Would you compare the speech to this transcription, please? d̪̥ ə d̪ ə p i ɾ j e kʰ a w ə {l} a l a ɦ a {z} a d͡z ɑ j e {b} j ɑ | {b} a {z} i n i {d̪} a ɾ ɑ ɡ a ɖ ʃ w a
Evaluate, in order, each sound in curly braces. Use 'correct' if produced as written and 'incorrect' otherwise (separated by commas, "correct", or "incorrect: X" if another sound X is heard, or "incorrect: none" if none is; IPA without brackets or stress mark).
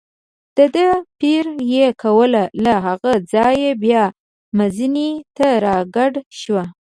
correct, incorrect: ɣ, correct, incorrect: m, correct, incorrect: t̪